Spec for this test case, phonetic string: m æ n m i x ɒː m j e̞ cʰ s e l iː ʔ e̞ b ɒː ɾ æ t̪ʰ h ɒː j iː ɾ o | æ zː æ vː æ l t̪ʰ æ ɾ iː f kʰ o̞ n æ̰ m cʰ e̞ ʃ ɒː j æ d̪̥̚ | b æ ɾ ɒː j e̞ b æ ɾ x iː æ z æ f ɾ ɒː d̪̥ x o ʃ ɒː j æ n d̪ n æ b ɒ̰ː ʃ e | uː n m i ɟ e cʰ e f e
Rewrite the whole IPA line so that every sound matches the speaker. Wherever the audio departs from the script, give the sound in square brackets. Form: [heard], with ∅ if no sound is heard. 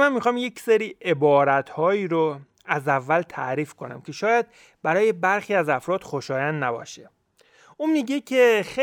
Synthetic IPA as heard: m æ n m i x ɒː m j e̞ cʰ s e [ɾ] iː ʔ e̞ b ɒː ɾ æ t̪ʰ h ɒː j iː ɾ o | æ [z] æ vː æ l t̪ʰ æ ɾ iː f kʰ o̞ n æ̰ m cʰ e̞ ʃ ɒː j æ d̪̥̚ | b æ ɾ ɒː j e̞ b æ ɾ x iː æ z æ f ɾ ɒː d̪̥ x o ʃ ɒː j æ n d̪ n æ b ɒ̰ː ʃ e | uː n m i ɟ e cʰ e [x] e